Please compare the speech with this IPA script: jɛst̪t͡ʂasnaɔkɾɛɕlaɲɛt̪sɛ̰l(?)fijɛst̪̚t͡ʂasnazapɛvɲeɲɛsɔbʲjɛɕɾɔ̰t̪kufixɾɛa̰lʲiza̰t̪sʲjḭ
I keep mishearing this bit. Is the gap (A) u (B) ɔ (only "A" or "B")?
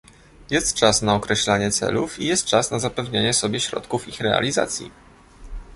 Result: A